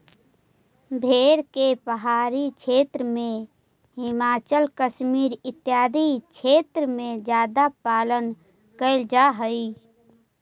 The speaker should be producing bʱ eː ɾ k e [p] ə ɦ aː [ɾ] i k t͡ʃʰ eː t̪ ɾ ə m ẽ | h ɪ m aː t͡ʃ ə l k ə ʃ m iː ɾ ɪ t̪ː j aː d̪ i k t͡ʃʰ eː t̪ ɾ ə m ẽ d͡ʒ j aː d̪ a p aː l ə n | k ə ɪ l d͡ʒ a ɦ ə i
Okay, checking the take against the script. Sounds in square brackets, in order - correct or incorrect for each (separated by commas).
correct, correct